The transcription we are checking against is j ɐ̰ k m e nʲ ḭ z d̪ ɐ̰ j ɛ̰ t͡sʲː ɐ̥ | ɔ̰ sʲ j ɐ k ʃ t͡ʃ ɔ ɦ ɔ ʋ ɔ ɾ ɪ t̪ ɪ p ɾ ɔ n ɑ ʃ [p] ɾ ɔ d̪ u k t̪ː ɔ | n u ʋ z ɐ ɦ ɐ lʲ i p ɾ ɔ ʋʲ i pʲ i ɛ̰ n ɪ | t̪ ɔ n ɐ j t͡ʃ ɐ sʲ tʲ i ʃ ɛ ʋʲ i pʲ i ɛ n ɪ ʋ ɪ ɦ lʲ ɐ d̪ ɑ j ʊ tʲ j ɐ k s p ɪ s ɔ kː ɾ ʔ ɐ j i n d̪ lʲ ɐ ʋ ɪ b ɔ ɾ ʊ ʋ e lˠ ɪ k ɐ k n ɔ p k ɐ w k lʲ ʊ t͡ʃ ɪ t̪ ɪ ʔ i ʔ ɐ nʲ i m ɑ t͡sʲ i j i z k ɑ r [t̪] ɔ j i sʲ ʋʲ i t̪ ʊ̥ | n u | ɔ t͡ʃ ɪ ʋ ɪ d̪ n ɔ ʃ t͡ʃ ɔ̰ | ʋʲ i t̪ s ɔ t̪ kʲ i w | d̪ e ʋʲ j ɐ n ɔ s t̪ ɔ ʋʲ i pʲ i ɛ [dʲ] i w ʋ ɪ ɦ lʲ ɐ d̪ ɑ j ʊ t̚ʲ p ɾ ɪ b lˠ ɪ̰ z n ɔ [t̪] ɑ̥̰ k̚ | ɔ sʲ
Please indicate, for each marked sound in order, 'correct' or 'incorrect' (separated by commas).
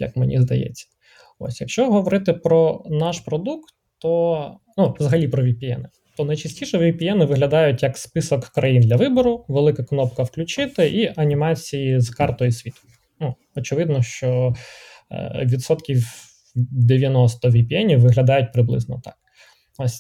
correct, correct, incorrect, correct